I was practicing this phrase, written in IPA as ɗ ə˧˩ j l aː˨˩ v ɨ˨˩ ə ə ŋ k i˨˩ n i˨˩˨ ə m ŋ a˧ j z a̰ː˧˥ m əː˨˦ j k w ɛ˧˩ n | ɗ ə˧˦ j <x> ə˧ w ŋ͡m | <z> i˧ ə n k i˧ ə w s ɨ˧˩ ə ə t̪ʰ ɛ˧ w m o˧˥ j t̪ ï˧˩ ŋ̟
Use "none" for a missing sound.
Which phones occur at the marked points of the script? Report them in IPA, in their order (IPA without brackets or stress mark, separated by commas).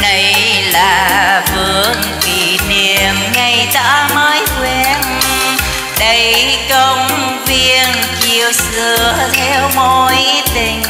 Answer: k, v